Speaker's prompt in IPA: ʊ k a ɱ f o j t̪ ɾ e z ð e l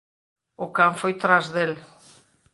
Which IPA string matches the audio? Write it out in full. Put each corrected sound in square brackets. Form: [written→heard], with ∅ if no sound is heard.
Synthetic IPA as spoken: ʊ k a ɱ f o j t̪ ɾ [e→a] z ð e l